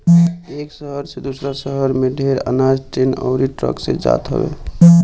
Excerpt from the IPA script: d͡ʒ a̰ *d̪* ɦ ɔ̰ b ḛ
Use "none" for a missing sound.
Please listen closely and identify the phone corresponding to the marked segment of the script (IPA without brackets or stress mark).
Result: t̪